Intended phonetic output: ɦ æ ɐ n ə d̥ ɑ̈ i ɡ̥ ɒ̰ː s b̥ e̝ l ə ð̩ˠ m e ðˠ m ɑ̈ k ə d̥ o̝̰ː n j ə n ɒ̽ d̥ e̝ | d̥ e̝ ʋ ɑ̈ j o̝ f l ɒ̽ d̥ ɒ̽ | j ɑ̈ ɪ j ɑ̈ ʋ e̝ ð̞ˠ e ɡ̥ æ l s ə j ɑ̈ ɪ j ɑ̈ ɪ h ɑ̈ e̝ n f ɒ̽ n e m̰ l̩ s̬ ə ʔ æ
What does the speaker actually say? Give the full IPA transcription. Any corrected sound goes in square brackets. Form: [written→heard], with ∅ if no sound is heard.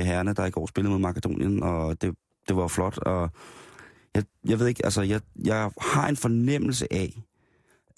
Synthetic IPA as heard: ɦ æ ɐ n ə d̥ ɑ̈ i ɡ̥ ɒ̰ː s b̥ e̝ l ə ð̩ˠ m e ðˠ m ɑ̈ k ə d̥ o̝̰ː n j ə n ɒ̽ d̥ e̝ | d̥ e̝ ʋ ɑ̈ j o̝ f l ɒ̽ d̥ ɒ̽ | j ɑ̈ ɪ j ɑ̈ ʋ e̝ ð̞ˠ e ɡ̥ æ l s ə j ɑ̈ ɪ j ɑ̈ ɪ h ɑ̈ e̝ n f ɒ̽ n e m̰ l̩ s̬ ə ʔ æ